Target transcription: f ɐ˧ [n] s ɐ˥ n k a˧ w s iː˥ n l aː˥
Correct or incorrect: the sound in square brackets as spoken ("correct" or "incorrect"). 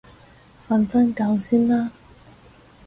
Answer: correct